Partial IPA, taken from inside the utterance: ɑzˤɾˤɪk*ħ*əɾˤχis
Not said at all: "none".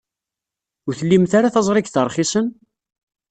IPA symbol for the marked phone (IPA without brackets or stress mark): θ